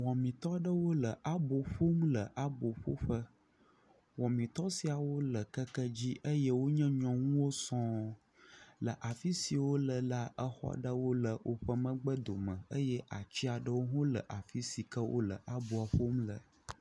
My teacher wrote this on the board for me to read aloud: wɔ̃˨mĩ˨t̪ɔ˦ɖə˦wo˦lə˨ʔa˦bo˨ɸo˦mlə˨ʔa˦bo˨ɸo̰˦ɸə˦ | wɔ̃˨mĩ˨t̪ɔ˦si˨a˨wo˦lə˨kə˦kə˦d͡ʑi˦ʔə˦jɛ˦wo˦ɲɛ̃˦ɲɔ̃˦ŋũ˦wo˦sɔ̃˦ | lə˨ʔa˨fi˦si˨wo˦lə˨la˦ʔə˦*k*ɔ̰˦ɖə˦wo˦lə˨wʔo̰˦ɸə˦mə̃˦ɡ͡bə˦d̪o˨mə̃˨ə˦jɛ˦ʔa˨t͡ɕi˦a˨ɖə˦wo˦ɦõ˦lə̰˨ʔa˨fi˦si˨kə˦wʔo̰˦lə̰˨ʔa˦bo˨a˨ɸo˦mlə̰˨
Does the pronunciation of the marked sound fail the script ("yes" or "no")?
yes